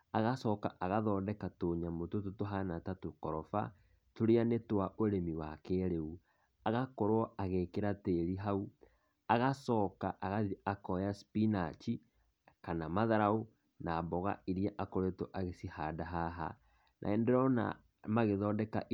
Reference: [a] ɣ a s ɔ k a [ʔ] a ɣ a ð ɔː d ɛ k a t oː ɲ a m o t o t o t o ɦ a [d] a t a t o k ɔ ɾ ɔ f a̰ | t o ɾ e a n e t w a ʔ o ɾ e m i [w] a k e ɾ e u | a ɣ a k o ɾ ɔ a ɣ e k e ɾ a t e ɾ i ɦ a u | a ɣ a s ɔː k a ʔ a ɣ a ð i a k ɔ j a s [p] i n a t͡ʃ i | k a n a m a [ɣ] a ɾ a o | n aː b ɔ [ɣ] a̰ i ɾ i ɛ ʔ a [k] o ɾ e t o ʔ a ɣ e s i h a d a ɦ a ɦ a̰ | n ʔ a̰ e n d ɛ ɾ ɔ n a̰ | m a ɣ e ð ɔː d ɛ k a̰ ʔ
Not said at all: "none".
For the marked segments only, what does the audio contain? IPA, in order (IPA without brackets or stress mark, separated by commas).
a, ʔ, n, w, p, ð, ɣ, k